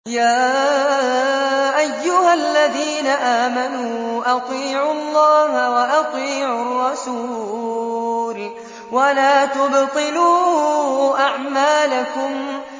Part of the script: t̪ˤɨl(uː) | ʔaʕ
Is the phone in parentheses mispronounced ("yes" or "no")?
no